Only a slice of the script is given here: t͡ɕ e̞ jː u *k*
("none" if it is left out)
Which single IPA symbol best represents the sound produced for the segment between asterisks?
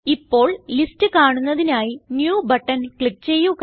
k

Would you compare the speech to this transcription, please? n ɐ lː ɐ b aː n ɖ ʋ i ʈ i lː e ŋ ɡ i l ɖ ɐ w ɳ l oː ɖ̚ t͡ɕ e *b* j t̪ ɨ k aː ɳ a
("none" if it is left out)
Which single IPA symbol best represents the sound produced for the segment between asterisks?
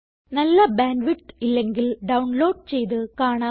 none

